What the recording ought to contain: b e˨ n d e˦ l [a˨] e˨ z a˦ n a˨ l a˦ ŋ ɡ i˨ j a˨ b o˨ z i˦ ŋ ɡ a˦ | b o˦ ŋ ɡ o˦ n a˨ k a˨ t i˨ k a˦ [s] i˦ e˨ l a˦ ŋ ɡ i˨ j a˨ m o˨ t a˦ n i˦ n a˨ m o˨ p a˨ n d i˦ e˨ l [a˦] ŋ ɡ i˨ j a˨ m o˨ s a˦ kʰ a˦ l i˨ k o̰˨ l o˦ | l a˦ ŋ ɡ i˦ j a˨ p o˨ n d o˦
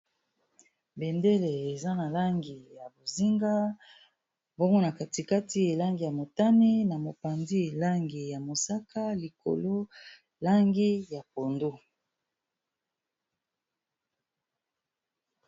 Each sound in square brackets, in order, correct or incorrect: incorrect, incorrect, correct

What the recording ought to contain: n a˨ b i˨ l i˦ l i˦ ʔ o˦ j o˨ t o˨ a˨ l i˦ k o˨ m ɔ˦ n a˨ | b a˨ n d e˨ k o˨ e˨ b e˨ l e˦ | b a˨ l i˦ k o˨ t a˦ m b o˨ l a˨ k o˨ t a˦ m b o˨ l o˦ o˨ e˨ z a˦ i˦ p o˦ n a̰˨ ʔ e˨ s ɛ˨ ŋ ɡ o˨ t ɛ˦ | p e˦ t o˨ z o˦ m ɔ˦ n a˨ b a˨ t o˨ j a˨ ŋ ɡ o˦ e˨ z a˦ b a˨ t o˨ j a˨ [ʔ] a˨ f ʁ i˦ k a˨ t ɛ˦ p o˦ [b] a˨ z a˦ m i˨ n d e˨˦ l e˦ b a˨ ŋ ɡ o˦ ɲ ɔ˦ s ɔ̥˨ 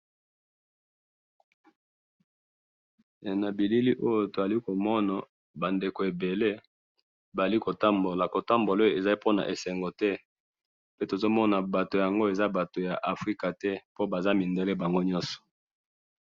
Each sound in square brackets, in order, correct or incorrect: correct, correct

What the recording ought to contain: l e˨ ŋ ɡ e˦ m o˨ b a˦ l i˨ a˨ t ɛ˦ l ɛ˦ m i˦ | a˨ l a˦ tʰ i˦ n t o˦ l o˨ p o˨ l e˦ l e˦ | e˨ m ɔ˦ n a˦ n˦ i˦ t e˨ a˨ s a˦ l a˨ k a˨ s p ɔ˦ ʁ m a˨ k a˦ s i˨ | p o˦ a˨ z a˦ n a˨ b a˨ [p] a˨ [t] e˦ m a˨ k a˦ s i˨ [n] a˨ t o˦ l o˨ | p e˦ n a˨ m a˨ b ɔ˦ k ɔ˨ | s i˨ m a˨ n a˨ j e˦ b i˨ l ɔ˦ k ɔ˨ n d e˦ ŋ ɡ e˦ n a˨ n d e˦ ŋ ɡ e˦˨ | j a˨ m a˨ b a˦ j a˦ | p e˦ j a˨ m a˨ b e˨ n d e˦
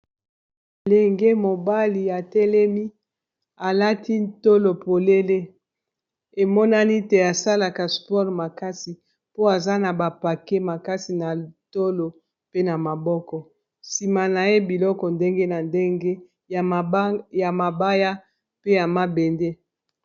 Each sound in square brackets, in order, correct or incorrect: correct, incorrect, correct

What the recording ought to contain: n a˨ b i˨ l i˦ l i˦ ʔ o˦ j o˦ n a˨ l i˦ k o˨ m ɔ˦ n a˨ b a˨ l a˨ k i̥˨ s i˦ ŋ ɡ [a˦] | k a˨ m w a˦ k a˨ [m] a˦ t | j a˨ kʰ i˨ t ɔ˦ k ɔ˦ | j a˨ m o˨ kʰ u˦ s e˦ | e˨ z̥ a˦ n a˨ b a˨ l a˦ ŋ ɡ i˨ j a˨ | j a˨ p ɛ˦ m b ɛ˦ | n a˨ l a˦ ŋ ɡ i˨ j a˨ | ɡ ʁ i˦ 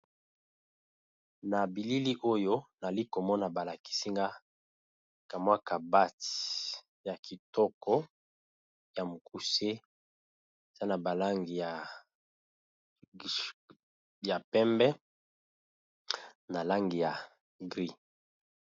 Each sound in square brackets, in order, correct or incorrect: correct, incorrect

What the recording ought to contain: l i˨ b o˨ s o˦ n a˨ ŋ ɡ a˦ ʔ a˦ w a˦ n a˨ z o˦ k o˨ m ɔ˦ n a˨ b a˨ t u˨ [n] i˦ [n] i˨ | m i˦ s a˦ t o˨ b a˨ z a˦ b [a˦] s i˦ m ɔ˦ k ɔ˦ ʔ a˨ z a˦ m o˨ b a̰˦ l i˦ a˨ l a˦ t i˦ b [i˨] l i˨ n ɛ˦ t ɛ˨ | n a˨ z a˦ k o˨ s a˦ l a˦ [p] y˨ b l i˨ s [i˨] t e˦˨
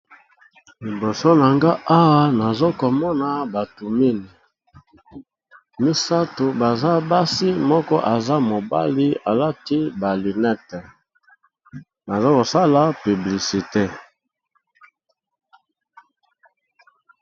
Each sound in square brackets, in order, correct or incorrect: incorrect, correct, correct, incorrect, correct, correct

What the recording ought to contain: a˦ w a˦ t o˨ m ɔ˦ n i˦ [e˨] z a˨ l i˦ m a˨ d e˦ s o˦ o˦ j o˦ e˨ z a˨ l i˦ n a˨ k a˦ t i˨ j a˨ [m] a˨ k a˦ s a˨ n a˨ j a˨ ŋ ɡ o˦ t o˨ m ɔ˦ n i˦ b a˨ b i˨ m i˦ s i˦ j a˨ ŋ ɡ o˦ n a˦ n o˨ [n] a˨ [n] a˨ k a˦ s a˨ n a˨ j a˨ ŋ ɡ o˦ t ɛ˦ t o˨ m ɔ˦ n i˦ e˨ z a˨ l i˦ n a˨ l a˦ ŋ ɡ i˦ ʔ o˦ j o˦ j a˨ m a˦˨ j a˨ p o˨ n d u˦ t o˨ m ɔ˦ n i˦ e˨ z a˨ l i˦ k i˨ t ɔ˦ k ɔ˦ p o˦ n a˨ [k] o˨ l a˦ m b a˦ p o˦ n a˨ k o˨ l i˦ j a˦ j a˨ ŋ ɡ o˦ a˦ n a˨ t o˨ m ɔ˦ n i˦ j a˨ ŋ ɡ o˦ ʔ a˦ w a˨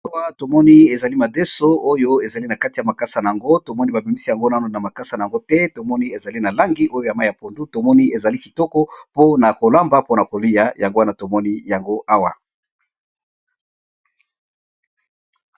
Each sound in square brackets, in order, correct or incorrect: correct, correct, correct, incorrect, correct

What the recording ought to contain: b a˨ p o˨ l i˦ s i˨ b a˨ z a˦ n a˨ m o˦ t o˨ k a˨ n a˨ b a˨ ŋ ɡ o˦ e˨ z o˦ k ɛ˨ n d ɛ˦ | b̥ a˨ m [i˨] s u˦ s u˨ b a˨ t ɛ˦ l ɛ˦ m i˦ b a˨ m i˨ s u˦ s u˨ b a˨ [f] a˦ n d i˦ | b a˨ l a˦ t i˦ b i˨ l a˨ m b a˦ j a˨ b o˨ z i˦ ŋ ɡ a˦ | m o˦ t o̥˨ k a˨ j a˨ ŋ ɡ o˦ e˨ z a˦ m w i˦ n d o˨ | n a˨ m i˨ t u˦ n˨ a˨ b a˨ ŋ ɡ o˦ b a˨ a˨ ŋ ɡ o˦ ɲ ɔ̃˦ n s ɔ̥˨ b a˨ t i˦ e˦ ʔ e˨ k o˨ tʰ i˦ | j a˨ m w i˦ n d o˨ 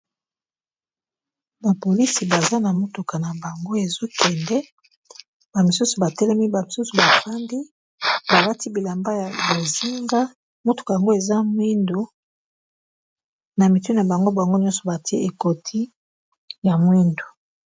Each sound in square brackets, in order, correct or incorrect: correct, correct

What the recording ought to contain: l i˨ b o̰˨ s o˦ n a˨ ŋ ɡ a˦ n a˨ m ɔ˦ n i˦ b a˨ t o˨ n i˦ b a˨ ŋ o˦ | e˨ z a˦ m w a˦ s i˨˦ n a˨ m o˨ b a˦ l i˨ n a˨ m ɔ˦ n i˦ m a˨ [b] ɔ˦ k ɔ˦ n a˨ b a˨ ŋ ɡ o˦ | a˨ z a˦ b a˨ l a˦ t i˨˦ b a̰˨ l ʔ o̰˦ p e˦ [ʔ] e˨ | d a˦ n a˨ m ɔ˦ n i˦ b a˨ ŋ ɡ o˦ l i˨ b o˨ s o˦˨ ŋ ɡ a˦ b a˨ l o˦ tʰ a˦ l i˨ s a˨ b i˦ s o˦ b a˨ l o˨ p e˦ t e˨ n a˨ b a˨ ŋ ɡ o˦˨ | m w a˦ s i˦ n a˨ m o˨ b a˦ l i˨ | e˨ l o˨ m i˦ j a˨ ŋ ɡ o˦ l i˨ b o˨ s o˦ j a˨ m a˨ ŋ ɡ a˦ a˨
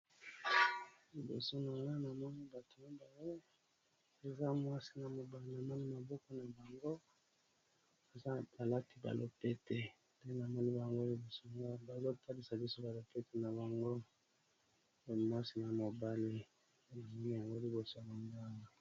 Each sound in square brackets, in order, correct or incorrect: correct, incorrect

